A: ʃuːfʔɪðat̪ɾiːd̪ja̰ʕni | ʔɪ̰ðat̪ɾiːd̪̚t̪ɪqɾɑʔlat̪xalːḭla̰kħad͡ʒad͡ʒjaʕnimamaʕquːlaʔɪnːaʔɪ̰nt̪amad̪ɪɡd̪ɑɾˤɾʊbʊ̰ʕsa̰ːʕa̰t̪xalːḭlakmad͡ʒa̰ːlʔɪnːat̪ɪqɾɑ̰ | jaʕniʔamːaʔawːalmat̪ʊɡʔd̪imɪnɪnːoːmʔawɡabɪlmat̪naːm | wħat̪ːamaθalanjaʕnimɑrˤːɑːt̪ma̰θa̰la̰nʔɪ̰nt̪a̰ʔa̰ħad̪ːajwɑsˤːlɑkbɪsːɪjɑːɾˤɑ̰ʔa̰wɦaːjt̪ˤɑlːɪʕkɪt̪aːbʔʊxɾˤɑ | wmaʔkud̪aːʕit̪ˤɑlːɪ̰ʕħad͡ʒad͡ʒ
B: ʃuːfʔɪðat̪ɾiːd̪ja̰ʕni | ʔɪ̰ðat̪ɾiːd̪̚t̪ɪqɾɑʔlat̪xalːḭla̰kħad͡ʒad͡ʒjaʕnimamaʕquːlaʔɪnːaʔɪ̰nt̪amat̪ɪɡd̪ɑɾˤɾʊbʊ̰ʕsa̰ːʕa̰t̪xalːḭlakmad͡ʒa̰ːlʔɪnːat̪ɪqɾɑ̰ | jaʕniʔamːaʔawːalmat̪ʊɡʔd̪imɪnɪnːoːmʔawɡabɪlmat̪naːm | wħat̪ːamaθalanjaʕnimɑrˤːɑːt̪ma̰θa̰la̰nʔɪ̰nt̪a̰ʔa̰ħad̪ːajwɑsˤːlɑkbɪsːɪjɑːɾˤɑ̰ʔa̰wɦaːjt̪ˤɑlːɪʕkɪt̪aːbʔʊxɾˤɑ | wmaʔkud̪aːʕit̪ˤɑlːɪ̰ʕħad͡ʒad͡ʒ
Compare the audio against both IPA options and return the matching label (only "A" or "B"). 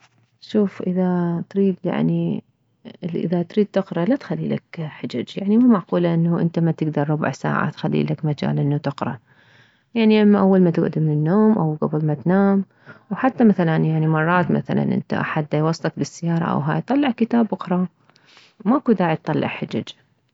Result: B